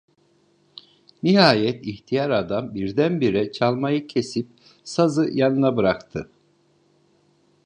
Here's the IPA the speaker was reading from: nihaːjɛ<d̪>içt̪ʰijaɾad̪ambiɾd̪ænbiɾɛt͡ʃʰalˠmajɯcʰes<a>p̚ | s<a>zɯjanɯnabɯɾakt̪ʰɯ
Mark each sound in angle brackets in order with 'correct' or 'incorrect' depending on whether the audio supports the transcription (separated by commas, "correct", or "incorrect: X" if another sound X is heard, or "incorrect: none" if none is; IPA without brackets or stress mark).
incorrect: t̪, incorrect: i, correct